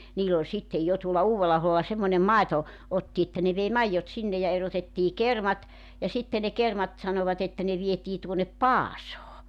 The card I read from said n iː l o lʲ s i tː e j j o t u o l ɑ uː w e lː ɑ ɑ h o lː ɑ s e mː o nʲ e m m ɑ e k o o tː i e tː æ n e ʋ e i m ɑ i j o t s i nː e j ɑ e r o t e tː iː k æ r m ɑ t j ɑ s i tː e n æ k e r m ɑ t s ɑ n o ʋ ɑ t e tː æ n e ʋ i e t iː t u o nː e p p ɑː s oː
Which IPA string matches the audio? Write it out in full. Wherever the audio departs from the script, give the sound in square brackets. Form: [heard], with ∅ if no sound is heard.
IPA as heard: n iː l o lʲ s i tː e j j o t u o l ɑ uː w e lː ɑ ɑ h o lː ɑ s e mː o nʲ e m m ɑ e [t] o o tː i e tː æ n e ʋ e i m ɑ i [jː] o t s i nː e j ɑ e r o t e tː iː k [e] r m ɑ t j ɑ s i tː e n [e] k e r m ɑ t s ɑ n o ʋ ɑ t e tː æ n e ʋ i e t iː t u o nː e p p ɑː s oː

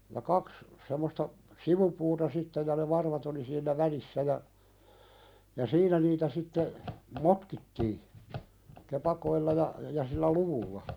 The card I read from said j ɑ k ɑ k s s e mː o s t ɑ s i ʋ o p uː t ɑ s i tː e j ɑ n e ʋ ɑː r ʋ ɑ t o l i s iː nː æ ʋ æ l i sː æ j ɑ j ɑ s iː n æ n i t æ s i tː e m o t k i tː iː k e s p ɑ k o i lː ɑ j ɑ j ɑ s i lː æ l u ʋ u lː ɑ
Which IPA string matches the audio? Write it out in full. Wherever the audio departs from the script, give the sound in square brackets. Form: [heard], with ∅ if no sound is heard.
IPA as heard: j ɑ k ɑ k s s e mː o s t ɑ s i ʋ [u] p uː t ɑ s i tː e j ɑ n e ʋ [ɑ] r ʋ ɑ t o l i s iː nː æ ʋ æ l i sː æ j ɑ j ɑ s iː n æ n [iː] t æ s i tː e m o t k i tː iː k e [∅] p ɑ k o i lː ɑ j ɑ j ɑ s i lː æ l u ʋ u lː ɑ

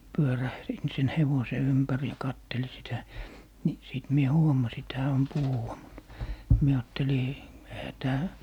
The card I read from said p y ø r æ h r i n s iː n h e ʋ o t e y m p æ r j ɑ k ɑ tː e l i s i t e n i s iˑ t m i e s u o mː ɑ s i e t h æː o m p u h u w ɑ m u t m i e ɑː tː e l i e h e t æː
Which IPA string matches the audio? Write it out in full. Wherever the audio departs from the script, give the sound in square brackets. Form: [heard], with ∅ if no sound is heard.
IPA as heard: p y ø r æ h r i n s iː n h e ʋ o [s] e y m p æ r j ɑ k ɑ tː e l i s i t [æ] n i s iˑ t m i e [h] u o [m] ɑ s i e t h æː o m p u h u w ɑ m u t m i e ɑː tː e l i e h [æ] t æː

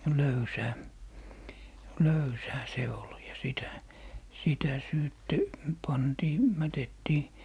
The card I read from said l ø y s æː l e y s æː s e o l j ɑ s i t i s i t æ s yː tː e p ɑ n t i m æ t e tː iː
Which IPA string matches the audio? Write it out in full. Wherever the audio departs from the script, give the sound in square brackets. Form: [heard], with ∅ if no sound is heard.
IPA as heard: l ø y s æː l [ø] y s æː s e o l j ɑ s i t [æ] s i t æ s yː tː e p ɑ n t [iː] m æ t e tː iː

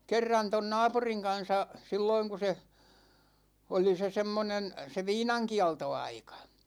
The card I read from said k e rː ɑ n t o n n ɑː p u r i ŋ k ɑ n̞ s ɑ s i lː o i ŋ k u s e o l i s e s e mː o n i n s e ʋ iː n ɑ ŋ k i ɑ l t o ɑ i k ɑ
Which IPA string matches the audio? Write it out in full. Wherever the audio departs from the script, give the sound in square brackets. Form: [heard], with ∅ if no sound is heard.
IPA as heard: k e rː ɑ n t o n n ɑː p u r i ŋ k ɑ n̞ s ɑ s i lː o i ŋ k u s e o l i s e s e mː o n [e] n s e ʋ iː n ɑ ŋ k i ɑ l t o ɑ i k ɑ

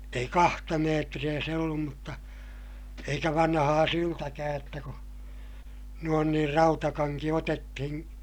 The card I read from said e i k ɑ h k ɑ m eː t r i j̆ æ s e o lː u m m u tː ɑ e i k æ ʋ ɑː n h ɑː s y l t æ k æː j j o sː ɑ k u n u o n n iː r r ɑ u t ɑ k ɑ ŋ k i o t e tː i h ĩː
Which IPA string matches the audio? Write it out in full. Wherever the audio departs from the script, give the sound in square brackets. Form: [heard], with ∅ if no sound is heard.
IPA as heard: e i k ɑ h [t] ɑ m eː t r i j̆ æ s e o lː u m m u tː ɑ e i k æ ʋ [ɑ] n h ɑː s y l t æ k æː j j o [tː] ɑ k u n u o n n iː r r ɑ u t ɑ k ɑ ŋ k i o t e tː i h ĩː

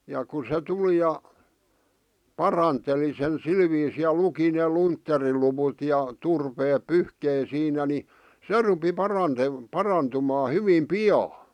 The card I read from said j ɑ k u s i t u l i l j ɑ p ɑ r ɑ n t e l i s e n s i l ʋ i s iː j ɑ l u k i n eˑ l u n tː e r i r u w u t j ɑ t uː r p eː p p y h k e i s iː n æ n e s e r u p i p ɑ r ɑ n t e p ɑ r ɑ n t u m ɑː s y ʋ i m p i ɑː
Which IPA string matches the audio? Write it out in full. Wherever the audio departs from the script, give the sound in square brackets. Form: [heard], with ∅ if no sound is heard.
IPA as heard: j ɑ k u s [e] t u l i [∅] j ɑ p ɑ r ɑ n t e l i s e n s i l ʋ [iː] s iː j ɑ l u k i n eˑ l u n tː e r i [l] u w u t j ɑ t [u] r p eː p p y h k e i s iː n æ n [i] s e r u p i p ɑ r ɑ n t e p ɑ r ɑ n t u m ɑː [h] y ʋ i m p i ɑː

